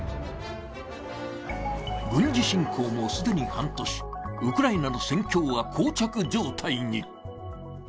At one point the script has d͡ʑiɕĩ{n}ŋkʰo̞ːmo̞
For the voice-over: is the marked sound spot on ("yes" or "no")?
no